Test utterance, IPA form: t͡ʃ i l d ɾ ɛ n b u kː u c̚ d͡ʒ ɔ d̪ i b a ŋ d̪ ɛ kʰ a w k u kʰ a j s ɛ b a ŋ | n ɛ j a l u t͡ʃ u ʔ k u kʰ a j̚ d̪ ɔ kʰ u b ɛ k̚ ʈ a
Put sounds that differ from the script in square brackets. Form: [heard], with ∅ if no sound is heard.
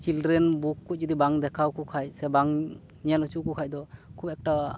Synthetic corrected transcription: t͡ʃ i l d ɾ ɛ n b u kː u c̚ d͡ʒ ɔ d̪ i b a ŋ d̪ ɛ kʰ a w k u kʰ a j s ɛ b a ŋ | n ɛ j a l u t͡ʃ u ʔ k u kʰ a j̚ d̪ ɔ kʰ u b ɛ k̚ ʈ a